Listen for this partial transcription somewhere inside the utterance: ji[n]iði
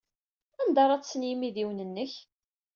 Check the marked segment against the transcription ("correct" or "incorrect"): incorrect